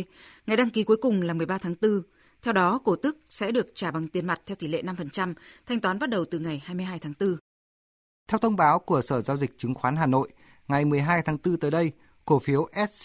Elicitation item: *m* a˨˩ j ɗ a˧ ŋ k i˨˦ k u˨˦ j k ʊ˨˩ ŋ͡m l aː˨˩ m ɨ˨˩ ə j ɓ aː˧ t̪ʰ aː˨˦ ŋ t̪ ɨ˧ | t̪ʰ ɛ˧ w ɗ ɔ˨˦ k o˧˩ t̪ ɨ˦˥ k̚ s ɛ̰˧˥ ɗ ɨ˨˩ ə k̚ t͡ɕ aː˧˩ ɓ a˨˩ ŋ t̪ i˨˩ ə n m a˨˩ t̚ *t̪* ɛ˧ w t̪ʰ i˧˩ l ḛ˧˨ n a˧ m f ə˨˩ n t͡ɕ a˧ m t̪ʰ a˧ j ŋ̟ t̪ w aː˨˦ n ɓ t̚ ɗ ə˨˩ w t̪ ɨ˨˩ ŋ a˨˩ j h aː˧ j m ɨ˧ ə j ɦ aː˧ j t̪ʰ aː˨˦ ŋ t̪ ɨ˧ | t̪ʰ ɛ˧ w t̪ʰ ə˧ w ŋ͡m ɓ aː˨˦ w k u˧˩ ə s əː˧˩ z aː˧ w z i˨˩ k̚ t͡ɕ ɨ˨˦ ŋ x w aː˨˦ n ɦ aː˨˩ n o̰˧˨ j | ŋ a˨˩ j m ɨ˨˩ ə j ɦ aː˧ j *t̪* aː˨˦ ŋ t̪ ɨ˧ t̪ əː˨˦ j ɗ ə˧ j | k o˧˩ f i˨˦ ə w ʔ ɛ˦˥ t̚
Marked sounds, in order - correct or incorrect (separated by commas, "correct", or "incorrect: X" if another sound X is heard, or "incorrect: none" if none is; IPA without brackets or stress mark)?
incorrect: ŋ, incorrect: t̪ʰ, incorrect: t̪ʰ